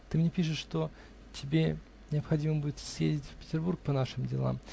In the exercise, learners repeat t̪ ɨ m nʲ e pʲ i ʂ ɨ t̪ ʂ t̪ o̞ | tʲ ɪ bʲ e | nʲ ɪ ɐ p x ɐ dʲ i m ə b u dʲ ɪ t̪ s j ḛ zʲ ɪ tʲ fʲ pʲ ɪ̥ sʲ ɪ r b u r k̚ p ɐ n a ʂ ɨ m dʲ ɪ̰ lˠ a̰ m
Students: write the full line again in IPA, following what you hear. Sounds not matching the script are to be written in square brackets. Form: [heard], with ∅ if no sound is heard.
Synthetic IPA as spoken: t̪ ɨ m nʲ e pʲ i ʂ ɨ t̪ ʂ t̪ o̞ | tʲ ɪ bʲ e | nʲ ɪ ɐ p x ɐ dʲ i m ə b u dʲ ɪ t̪ s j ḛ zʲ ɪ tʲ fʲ pʲ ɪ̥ [tʲ] ɪ r b u r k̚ p ɐ n a ʂ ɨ m dʲ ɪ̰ lˠ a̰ m